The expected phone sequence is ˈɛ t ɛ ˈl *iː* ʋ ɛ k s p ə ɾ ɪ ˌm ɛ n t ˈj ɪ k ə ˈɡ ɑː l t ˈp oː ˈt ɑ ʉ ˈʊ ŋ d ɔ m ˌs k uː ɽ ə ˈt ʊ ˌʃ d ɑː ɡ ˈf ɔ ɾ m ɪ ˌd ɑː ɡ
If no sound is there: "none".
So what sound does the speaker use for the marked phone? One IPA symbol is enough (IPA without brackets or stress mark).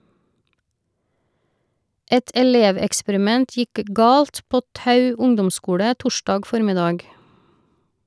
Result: eː